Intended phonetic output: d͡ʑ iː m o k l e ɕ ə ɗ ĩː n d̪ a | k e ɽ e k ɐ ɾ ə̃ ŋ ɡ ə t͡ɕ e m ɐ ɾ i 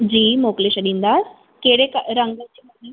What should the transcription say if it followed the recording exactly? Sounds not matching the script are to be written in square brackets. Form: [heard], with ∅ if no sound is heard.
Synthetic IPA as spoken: d͡ʑ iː m o k l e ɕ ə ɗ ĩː n d̪ a | k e ɽ e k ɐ ɾ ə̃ ŋ ɡ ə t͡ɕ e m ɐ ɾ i